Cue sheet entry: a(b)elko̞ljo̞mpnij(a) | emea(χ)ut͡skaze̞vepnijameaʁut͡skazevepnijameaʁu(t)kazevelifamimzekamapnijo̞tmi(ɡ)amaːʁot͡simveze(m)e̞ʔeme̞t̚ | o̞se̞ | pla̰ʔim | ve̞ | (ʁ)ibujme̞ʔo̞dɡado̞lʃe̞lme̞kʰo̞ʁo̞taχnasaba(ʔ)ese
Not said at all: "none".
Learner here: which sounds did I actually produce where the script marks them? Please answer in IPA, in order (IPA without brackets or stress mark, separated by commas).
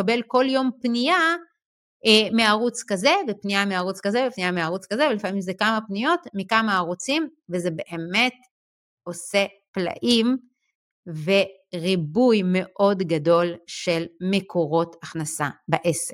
b, a, ʁ, t͡s, k, b, ʁ, ʔ